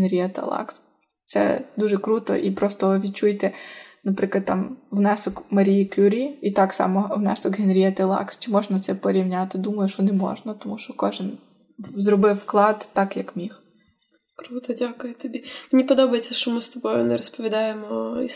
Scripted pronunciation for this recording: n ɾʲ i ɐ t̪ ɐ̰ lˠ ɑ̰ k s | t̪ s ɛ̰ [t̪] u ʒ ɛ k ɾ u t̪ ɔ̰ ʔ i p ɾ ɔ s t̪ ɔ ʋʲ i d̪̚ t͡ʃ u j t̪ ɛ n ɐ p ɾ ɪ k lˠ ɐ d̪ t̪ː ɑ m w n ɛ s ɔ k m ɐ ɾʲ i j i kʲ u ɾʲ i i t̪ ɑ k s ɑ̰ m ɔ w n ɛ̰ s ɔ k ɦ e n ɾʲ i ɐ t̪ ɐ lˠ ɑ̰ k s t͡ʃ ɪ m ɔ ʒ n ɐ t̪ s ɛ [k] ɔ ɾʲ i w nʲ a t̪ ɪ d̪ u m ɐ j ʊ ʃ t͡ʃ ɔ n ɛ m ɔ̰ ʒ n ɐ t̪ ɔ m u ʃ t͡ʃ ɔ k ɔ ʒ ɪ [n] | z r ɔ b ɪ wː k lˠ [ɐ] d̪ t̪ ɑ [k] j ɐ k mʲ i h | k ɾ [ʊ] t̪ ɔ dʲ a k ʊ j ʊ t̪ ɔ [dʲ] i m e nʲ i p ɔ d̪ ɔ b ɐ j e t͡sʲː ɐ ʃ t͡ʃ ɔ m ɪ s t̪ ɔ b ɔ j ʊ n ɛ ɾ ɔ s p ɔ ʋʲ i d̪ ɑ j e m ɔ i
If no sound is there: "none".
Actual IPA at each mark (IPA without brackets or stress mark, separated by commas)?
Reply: d̪, p, n, ɑ, k, u, bʲ